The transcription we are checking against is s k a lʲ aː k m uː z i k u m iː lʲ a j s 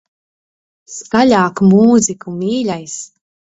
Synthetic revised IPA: s k a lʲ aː k m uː z i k u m iː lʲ a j s